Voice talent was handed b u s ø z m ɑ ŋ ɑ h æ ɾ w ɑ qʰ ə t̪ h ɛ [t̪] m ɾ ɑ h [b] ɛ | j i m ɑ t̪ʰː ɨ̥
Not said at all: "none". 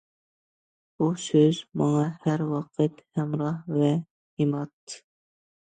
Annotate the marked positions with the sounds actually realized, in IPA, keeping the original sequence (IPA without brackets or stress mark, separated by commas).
none, v